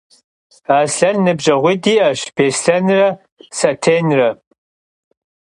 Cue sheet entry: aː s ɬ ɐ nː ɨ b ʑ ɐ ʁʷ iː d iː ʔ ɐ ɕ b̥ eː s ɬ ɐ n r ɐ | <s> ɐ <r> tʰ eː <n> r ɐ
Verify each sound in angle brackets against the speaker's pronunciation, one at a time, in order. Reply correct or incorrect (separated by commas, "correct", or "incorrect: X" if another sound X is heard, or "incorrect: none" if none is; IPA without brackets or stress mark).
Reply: correct, incorrect: none, correct